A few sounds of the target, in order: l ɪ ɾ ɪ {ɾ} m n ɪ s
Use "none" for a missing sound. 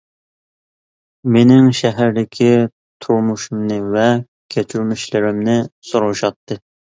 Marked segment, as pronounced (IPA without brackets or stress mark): none